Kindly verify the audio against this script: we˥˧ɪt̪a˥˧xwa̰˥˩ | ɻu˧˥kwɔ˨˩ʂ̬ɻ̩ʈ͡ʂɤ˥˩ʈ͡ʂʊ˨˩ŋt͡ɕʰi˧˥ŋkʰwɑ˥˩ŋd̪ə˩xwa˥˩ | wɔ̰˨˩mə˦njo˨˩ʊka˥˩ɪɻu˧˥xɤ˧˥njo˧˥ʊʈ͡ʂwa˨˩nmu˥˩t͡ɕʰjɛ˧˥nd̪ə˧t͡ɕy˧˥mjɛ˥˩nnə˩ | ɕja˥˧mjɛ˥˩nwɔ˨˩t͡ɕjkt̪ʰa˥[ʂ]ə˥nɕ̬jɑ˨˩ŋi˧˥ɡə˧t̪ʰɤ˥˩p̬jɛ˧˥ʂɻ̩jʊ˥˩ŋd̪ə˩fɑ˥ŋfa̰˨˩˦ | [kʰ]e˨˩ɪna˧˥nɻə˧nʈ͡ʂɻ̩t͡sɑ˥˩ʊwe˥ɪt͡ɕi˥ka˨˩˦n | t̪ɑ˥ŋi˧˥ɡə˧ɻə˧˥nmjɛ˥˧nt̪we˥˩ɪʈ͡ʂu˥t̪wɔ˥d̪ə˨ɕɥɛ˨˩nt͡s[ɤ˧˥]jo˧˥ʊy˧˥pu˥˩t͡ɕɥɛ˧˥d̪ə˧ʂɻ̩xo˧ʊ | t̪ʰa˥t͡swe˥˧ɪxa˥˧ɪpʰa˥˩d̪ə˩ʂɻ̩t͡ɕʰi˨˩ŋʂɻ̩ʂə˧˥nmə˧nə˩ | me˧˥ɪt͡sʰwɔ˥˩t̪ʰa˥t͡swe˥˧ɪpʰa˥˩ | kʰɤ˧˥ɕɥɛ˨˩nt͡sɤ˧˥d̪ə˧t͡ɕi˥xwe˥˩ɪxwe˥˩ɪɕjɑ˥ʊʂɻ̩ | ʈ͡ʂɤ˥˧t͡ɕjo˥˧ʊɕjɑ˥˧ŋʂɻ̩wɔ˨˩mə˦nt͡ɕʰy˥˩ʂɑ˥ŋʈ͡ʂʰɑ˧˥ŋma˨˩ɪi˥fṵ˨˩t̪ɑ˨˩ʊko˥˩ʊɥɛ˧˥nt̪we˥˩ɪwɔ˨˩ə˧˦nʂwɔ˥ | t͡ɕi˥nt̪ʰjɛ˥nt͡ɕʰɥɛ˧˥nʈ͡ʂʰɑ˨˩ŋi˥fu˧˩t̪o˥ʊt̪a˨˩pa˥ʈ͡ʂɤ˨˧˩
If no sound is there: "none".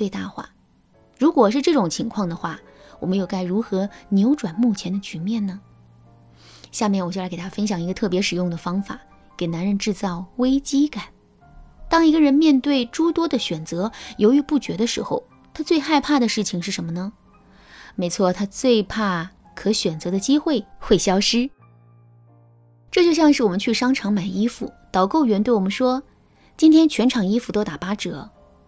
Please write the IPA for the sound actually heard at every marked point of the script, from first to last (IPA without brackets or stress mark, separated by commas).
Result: f, k, ɤ˧˥